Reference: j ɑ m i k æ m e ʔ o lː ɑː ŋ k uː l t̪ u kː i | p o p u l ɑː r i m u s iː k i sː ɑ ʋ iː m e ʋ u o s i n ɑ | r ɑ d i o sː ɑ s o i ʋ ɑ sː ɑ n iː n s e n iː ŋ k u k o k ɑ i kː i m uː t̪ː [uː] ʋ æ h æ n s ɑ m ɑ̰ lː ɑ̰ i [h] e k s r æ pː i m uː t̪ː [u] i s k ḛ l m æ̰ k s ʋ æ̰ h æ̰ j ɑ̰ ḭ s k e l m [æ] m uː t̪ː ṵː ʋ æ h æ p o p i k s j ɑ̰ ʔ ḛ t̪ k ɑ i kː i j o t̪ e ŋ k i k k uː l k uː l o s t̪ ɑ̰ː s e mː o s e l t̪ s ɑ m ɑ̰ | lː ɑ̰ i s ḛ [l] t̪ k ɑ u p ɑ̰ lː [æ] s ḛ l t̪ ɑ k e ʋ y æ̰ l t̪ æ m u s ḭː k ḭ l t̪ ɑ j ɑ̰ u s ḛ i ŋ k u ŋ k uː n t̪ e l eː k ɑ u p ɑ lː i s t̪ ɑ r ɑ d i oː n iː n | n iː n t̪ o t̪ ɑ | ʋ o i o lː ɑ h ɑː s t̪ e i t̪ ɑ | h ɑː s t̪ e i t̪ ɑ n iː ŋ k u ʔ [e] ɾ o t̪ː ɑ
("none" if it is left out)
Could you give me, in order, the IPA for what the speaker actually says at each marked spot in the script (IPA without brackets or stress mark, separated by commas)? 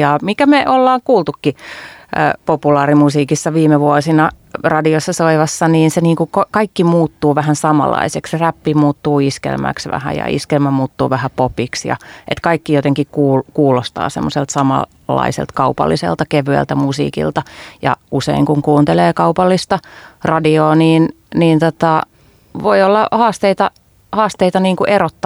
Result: uː, s, uː, æ, l, i, e